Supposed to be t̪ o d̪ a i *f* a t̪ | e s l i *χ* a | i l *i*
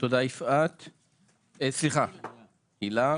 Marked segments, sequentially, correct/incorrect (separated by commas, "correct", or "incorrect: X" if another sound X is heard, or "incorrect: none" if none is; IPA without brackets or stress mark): correct, correct, incorrect: a